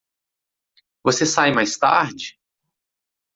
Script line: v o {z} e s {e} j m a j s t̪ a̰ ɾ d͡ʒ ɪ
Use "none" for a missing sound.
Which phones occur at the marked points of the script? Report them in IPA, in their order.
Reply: s, a

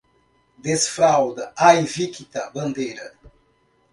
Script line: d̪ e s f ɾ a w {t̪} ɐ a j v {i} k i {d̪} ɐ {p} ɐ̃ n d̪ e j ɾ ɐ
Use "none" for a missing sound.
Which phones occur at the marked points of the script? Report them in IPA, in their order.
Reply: d̪, i, t̪, b

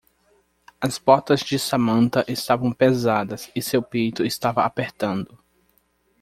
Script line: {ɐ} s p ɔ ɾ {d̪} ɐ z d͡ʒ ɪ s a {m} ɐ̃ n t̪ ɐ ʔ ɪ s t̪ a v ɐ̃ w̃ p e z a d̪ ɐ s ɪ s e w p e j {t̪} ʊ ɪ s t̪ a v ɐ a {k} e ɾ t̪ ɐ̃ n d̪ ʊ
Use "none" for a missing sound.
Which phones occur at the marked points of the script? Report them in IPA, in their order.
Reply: ɐ, t̪, m, t̪, p

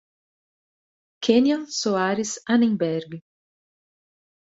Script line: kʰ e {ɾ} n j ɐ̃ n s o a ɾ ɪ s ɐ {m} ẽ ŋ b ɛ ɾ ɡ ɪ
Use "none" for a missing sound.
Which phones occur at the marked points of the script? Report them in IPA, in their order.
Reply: none, n

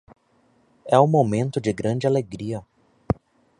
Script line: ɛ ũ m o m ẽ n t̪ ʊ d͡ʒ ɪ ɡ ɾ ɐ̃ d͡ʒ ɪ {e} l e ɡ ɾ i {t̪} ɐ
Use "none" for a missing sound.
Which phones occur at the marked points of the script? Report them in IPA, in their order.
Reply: a, none

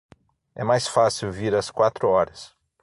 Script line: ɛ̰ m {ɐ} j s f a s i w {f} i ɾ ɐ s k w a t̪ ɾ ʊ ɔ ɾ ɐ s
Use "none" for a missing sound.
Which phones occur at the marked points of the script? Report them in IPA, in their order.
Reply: a, v

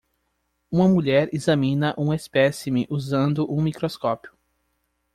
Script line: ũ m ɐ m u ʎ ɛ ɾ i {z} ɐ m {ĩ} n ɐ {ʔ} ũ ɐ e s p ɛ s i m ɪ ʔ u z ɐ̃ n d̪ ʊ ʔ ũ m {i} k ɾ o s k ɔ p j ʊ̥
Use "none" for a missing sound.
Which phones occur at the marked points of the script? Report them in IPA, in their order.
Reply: z, ĩ, ʔ, i

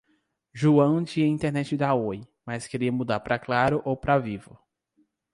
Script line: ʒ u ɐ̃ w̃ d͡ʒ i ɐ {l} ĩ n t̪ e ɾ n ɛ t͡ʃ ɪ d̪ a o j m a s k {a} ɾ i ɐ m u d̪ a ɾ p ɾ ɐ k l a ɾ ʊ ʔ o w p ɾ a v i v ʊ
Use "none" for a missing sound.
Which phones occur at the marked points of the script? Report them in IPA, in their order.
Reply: none, e

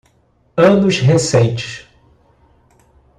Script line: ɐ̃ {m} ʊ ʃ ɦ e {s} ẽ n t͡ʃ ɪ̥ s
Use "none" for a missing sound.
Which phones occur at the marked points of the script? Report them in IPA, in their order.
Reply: n, s

